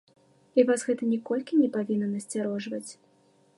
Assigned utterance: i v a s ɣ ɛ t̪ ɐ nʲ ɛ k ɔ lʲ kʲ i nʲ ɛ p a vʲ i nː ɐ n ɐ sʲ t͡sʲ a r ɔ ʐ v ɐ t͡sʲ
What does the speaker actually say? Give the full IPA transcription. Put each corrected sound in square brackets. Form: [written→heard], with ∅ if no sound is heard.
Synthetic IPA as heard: i v a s ɣ ɛ t̪ ɐ nʲ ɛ k ɔ lʲ kʲ i nʲ ɛ p a vʲ i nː ɐ n ɐ sʲ t͡sʲ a [r→ɾ] ɔ ʐ v ɐ t͡sʲ